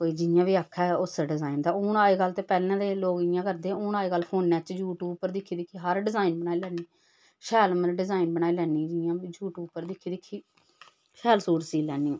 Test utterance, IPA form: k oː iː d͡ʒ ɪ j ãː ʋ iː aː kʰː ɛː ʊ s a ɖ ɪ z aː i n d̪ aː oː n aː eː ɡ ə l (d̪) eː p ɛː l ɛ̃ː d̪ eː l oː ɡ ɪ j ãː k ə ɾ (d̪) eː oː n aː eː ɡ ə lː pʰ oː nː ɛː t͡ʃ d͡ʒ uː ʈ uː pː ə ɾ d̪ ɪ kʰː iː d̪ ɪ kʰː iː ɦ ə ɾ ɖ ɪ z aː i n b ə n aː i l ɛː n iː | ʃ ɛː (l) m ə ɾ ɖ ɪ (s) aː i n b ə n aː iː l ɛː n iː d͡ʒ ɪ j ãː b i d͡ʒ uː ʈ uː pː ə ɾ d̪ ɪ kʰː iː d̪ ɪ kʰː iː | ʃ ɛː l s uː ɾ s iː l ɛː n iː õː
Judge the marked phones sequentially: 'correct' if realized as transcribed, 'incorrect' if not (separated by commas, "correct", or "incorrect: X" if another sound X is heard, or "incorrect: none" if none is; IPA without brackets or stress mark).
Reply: incorrect: t̪, correct, correct, incorrect: z